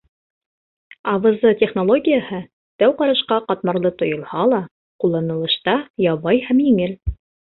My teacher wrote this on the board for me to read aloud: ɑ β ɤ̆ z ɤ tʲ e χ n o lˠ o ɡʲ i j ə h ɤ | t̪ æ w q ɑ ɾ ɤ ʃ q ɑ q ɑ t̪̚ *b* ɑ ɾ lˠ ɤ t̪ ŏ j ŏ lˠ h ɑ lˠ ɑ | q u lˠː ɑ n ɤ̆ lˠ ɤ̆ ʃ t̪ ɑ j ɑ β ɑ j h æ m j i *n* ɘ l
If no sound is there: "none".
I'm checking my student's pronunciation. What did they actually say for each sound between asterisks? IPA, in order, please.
m, ŋ

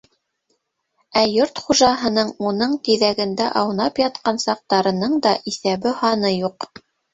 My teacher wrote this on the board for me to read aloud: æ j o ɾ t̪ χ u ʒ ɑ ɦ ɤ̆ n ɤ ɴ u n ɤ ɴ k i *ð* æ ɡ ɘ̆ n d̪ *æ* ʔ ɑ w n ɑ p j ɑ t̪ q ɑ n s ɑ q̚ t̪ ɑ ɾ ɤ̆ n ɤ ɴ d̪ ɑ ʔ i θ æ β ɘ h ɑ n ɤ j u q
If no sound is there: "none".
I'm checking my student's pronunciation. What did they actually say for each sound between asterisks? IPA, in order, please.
ð, æ

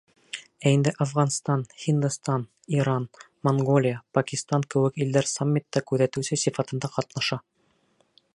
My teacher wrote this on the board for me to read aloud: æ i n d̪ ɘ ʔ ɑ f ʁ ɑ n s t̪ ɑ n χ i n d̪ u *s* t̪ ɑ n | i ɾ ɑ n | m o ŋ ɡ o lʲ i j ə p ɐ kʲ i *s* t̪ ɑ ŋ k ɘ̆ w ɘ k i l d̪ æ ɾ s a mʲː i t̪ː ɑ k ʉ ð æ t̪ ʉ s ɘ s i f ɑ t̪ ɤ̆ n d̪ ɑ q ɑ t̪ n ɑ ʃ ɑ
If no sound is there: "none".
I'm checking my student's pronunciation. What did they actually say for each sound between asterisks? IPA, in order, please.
s, s

